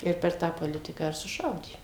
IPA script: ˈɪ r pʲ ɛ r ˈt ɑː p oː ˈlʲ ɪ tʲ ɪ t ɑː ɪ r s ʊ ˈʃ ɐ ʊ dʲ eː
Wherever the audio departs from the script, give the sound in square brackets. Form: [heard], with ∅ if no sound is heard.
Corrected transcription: ˈɪ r pʲ ɛ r ˈt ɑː p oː ˈlʲ ɪ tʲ ɪ [k] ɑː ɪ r s ʊ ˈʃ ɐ ʊ dʲ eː